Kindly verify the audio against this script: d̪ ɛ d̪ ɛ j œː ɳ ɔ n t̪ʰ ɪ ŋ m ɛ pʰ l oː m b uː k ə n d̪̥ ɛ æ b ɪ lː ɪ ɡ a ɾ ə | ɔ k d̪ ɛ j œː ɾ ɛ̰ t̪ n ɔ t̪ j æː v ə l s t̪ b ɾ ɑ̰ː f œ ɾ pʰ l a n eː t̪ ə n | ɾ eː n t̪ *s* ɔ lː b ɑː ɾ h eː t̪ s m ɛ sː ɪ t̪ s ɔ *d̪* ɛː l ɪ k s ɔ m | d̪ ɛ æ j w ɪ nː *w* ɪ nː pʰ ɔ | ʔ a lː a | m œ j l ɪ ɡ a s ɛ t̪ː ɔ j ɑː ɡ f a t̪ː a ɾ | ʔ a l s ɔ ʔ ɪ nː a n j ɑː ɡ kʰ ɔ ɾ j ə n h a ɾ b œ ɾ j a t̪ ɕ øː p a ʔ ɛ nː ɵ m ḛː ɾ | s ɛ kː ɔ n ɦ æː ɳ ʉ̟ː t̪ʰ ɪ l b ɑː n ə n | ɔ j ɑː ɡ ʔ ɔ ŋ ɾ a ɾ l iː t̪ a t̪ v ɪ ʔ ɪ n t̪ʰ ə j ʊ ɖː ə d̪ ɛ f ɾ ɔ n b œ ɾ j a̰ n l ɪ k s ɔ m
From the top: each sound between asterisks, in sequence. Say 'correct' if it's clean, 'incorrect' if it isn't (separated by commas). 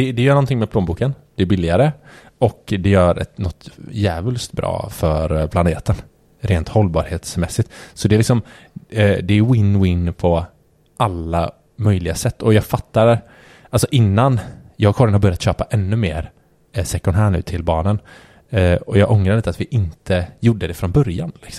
incorrect, correct, correct